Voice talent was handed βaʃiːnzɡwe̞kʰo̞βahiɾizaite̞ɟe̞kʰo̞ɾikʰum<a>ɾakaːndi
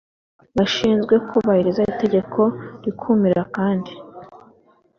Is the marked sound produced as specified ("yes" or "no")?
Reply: no